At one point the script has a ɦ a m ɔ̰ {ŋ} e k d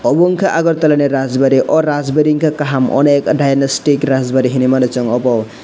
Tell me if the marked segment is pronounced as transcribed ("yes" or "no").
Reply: no